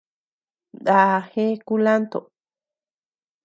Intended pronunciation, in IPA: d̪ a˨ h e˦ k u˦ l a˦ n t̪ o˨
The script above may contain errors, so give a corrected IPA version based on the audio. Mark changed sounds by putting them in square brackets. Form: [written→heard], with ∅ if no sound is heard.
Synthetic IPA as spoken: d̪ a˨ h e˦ k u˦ l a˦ n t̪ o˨